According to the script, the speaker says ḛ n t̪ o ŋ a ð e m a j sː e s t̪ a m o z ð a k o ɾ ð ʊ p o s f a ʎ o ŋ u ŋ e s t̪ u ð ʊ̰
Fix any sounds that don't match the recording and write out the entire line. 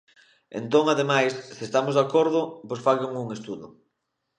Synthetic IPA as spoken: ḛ n t̪ o ŋ a ð e m a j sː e s t̪ a m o z ð a k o ɾ ð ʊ p o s f a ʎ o ŋ u ŋ e s t̪ u ð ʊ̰